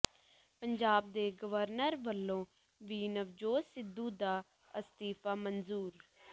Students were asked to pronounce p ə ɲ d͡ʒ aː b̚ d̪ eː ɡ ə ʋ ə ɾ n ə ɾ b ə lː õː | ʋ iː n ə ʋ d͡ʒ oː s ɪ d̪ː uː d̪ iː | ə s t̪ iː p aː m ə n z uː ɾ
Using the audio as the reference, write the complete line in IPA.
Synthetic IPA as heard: p ə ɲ d͡ʒ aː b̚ d̪ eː ɡ ə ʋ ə ɾ n ə ɾ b ə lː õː | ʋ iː n ə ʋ d͡ʒ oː s ɪ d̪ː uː d̪ aː | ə s t̪ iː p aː m ə n z uː ɾ